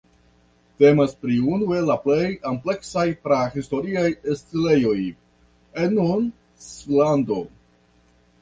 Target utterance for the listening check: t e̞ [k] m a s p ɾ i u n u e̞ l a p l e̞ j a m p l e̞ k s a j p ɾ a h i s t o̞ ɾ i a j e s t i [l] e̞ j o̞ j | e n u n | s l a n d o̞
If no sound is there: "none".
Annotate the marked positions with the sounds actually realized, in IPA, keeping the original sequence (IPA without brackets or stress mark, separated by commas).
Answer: none, l